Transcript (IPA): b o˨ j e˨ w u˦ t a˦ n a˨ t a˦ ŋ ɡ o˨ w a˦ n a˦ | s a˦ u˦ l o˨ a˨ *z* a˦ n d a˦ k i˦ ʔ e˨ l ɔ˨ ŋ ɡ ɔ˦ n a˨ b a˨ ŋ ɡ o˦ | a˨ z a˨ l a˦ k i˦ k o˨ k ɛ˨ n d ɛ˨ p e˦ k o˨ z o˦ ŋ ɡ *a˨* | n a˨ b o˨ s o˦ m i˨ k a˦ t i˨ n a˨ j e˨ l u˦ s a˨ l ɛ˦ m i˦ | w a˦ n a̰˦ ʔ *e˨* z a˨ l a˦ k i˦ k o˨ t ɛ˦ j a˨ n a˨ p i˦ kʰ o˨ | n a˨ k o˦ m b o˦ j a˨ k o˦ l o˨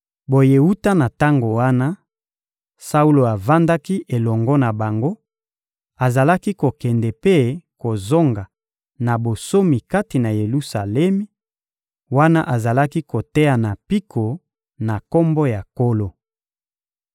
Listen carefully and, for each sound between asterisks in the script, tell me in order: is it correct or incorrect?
incorrect: v, correct, incorrect: a˨

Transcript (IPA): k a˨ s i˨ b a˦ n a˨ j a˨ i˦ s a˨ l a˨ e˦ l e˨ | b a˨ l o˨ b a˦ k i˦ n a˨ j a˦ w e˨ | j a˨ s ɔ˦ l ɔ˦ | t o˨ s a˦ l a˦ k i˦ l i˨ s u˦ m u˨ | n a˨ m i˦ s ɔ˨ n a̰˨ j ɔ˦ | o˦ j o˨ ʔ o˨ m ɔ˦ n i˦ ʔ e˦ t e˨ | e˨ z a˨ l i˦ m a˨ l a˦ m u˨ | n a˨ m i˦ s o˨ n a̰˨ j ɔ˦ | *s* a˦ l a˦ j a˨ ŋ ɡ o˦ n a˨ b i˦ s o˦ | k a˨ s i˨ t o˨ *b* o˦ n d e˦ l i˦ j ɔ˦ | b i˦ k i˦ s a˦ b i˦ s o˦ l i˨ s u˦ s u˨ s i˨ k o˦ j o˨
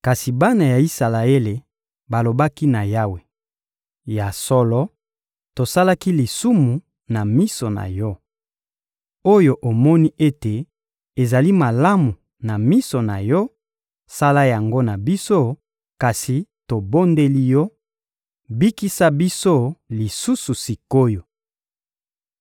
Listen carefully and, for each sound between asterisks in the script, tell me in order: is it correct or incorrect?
correct, correct

